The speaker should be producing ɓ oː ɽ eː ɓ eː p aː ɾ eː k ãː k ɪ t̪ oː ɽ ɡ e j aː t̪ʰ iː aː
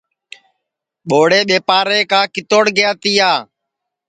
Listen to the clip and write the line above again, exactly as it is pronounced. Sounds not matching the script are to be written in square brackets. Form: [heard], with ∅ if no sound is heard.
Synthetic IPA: ɓ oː ɽ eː ɓ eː p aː ɾ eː k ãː k ɪ t̪ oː ɽ ɡ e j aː [t̪] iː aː

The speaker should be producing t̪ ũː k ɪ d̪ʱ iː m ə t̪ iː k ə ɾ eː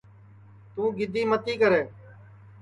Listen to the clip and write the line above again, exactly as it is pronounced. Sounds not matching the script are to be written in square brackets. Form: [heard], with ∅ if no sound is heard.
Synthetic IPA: t̪ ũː [ɡ] ɪ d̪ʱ iː m ə t̪ iː k ə ɾ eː

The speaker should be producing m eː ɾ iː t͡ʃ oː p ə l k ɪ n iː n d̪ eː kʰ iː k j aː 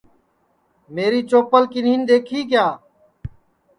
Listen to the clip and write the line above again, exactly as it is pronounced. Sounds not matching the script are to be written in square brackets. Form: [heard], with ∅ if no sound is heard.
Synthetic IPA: m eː ɾ iː t͡ʃ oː p ə l k ɪ n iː n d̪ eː kʰ iː k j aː

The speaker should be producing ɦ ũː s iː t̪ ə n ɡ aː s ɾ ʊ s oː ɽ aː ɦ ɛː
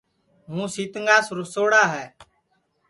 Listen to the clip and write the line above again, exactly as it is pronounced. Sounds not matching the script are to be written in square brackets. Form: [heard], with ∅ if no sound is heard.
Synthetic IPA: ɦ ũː s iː t̪ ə [ŋ] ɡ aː s ɾ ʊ s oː ɽ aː ɦ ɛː

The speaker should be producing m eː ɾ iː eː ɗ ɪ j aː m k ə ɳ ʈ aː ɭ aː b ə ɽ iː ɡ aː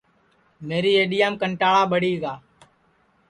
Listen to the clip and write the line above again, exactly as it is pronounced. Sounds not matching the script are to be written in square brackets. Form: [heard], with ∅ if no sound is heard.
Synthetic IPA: m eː ɾ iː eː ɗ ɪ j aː m k ə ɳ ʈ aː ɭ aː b ə ɽ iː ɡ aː

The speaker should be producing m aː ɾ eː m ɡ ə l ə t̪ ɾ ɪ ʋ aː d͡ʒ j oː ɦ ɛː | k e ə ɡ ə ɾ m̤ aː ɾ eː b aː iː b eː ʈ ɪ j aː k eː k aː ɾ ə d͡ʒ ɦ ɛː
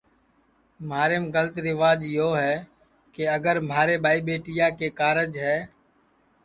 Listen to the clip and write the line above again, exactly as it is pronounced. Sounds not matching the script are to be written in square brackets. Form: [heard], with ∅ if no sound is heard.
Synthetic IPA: m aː ɾ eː m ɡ ə l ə t̪ ɾ ɪ ʋ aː d͡ʒ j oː ɦ ɛː | k e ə ɡ ə ɾ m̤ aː ɾ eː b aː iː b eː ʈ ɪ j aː k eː k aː ɾ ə d͡ʒ ɦ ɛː

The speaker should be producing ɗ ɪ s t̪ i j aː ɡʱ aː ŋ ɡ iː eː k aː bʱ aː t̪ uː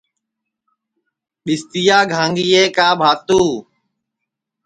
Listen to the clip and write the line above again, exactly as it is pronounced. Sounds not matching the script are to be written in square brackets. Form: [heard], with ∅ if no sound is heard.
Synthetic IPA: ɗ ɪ s t̪ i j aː ɡʱ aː ŋ ɡ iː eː k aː bʱ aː t̪ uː

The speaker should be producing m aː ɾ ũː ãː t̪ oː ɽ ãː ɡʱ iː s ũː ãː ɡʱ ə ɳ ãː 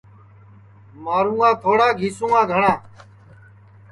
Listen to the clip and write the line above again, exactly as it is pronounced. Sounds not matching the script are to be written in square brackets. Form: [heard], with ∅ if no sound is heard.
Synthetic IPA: m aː ɾ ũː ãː [t̪ʰ] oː ɽ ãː ɡʱ iː s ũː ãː ɡʱ ə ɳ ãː

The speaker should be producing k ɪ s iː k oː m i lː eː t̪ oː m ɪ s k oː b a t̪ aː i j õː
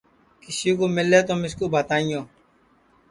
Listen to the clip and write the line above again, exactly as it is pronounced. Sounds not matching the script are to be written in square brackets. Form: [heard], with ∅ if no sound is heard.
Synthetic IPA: k ɪ s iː k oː m [ɪ] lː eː t̪ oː m ɪ s k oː b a t̪ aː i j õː

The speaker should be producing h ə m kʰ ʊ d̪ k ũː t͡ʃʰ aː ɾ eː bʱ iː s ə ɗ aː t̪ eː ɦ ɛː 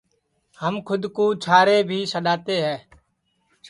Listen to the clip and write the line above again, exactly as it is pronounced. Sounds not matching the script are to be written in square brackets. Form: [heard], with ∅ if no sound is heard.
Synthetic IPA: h ə m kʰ ʊ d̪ k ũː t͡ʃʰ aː ɾ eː bʱ iː s ə ɗ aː t̪ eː ɦ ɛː

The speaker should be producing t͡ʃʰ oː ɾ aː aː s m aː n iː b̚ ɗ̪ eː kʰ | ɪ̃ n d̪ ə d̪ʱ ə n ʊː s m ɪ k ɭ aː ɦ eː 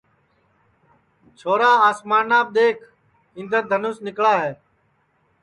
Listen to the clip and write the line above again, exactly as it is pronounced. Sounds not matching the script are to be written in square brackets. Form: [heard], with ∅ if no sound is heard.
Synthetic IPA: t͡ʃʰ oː ɾ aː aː s m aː n [aː] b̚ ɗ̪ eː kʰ | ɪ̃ n d̪ ə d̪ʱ ə n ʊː s [n] ɪ k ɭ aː ɦ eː

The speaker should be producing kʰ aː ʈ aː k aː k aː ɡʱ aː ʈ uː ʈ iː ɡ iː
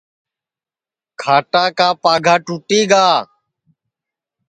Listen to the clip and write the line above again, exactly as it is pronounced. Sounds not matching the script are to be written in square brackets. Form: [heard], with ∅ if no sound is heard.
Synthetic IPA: kʰ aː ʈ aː k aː [p] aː ɡʱ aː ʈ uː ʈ iː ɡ [aː]

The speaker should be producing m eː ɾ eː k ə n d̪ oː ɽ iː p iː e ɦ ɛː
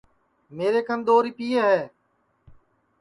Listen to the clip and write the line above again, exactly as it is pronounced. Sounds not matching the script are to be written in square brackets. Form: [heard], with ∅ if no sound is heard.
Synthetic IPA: m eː ɾ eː k ə n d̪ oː [ɾ] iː p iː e ɦ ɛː

